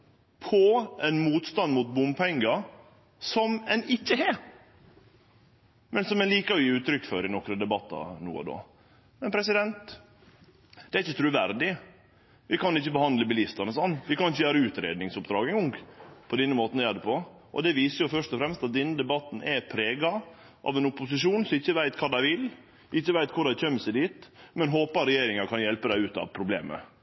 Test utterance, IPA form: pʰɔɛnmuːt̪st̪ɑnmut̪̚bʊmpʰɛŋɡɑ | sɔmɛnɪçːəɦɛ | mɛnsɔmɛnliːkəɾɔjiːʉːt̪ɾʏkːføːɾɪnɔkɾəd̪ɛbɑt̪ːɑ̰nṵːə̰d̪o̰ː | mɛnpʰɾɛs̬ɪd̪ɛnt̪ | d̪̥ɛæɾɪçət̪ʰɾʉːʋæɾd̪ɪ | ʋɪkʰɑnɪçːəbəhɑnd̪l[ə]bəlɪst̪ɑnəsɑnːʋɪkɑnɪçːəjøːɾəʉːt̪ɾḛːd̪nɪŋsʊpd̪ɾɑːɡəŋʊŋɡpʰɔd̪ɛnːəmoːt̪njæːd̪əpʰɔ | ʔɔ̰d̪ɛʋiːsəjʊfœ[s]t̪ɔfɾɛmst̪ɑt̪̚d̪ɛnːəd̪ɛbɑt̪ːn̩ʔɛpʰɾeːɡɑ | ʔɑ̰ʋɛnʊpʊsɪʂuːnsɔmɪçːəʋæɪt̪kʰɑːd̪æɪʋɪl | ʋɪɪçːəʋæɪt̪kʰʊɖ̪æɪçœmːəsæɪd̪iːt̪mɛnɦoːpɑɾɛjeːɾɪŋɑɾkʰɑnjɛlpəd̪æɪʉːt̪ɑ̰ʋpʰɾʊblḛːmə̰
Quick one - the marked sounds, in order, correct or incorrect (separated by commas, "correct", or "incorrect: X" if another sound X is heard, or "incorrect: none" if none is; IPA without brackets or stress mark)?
correct, incorrect: ʂ